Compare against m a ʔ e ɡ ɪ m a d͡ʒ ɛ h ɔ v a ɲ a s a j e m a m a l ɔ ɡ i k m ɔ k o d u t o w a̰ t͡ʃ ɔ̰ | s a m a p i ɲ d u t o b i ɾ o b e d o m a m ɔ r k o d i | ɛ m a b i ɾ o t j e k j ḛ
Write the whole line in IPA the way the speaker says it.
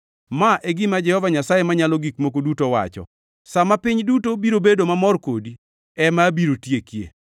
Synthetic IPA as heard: m a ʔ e ɡ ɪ m a d͡ʒ ɛ h ɔ v a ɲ a s a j e m a ɲ a l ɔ ɡ i k m o k o d u t o w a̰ t͡ʃ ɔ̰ | s a m a p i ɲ d u t o b i ɾ o b e d o m a m ɔ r k o d i | ɛ m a b i ɾ o t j e k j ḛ